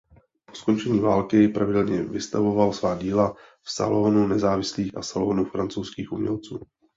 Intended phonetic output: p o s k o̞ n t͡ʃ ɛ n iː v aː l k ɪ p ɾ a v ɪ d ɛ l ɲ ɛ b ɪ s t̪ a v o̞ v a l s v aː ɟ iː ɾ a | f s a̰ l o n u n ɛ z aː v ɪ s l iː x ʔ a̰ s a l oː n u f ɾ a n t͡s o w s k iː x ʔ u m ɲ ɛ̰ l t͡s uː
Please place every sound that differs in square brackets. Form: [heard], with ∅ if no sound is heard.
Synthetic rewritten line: p o s k o̞ n t͡ʃ ɛ [ɲ] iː v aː l k ɪ p ɾ a v ɪ d ɛ l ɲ ɛ [v] ɪ s t̪ a v o̞ v a l s v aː ɟ iː [l] a | f s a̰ l o n u n ɛ z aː v ɪ s l iː x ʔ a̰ s a l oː n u f ɾ a n t͡s o w s k iː x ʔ u m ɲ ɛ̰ l t͡s uː